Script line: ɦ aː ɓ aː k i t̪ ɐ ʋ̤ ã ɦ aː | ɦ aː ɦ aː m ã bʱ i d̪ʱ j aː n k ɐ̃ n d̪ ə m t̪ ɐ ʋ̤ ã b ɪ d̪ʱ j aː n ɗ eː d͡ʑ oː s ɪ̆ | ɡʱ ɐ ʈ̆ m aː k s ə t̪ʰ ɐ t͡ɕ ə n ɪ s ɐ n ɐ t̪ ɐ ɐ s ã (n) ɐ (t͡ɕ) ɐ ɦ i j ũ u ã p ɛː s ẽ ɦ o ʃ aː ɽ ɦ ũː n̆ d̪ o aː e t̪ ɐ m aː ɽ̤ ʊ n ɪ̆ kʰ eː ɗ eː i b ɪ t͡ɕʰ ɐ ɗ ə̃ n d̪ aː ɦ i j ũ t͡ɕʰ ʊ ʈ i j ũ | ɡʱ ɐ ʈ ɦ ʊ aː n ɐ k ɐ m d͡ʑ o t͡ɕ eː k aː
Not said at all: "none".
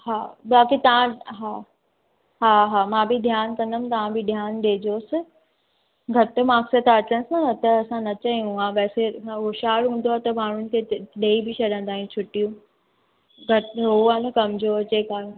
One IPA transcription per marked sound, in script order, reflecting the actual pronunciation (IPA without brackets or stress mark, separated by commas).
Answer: n, t͡ɕ